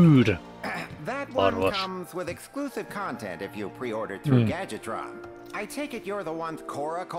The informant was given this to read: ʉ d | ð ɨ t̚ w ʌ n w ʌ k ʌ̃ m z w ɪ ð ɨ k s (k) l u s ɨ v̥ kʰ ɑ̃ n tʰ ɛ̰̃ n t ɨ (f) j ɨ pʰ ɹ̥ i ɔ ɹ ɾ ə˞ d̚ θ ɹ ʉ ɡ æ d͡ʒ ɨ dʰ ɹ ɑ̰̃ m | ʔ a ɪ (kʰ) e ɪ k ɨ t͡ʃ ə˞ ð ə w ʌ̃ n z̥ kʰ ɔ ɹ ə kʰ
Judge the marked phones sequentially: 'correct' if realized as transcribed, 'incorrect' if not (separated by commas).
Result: correct, correct, incorrect